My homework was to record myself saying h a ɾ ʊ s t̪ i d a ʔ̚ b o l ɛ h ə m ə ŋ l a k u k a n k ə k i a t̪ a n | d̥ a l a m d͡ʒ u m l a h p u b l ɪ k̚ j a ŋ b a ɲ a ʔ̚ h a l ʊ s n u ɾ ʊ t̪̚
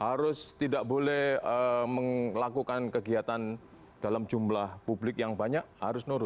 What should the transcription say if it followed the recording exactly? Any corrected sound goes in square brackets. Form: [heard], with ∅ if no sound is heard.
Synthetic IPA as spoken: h a ɾ ʊ s t̪ i d a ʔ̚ b o l ɛ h ə m ə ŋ l a k u k a n k ə [ɡ] i a t̪ a n | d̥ a l a m d͡ʒ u m l a h p u b l ɪ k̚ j a ŋ b a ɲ a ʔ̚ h a [ɾ] ʊ s n u ɾ ʊ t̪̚